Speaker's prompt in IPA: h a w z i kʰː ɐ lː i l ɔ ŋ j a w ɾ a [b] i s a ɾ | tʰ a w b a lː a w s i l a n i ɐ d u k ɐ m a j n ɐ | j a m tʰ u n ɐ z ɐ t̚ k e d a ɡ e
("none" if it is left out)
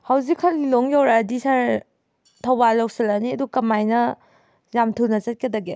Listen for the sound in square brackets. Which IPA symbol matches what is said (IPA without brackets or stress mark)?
d